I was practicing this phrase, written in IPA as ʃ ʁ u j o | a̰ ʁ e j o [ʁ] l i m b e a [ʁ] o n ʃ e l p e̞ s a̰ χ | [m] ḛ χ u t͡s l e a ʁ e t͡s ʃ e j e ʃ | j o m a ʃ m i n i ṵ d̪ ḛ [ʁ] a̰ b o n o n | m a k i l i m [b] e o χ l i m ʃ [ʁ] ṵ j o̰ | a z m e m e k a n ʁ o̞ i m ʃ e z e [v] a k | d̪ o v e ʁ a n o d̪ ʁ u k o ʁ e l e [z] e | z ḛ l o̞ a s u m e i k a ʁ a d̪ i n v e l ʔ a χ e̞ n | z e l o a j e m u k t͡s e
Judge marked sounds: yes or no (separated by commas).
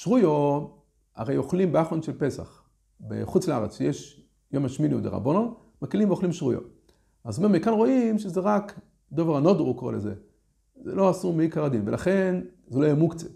no, no, no, yes, no, yes, no, yes